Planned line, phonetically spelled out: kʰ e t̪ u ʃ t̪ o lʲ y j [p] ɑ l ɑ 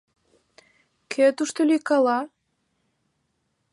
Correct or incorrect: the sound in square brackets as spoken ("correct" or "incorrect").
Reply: incorrect